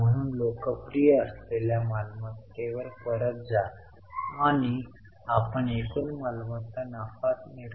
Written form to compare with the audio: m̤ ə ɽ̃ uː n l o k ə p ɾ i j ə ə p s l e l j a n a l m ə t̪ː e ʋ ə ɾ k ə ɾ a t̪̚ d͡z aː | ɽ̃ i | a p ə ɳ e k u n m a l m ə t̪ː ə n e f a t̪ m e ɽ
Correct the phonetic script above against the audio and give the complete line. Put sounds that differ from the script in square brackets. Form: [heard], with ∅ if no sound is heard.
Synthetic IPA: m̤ ə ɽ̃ uː n l o k ə p ɾ i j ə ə [∅] s l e l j a [m] a l m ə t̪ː e ʋ ə ɾ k ə ɾ [ə] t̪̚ d͡z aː | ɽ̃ i | a p ə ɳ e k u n m a l m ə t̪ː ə n [a] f a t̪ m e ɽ